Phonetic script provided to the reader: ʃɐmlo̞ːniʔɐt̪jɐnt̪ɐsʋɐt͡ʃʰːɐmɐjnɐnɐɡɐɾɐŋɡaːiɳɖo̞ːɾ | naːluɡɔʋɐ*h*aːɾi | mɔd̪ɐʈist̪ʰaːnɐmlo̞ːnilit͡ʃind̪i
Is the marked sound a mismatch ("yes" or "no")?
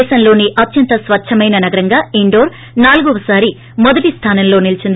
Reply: yes